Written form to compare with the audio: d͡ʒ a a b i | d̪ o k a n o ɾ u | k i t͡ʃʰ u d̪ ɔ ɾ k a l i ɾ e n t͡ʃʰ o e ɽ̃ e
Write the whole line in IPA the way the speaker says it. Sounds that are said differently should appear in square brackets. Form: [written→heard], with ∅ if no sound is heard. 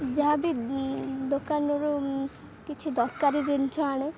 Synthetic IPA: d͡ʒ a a b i | d̪ o k a n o ɾ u | k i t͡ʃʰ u d̪ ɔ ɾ k a [l→ɾ] i ɾ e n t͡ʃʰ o [e→a] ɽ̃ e